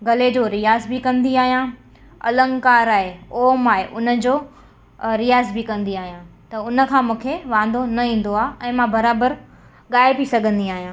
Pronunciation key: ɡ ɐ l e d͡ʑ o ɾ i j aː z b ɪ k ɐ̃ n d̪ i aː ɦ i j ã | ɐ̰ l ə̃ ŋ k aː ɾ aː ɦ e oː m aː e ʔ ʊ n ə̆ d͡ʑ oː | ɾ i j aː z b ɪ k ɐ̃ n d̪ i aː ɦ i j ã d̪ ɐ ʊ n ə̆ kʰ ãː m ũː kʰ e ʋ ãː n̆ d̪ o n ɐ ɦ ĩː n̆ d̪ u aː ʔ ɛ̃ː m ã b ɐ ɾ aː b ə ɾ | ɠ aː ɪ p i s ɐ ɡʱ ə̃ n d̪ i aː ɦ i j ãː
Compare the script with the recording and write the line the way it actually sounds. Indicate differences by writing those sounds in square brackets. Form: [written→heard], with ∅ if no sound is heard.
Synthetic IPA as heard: ɡ ɐ l e d͡ʑ o ɾ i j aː z b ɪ k ɐ̃ n d̪ i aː ɦ i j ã | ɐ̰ l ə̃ ŋ k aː ɾ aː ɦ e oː m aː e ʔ ʊ n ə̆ d͡ʑ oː | ɾ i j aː z b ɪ k ɐ̃ n d̪ i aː ɦ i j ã [d̪→t̪] ɐ ʊ n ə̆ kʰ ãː m ũː kʰ e ʋ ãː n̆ d̪ o n ɐ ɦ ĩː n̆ d̪ [u→o] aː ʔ ɛ̃ː m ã b ɐ ɾ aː b ə ɾ | ɠ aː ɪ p i s ɐ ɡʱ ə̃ n d̪ i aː ɦ i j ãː